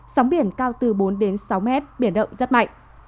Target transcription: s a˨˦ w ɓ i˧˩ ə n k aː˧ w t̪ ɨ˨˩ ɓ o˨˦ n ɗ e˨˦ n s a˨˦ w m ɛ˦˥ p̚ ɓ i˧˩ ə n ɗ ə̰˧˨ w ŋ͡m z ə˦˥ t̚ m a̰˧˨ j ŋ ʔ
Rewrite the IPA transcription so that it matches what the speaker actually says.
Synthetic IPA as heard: s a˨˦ w ɓ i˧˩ ə n k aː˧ w t̪ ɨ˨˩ ɓ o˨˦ n ɗ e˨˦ n s a˨˦ w m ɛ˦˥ t̚ ɓ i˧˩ ə n ɗ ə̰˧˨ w ŋ͡m z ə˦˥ t̚ m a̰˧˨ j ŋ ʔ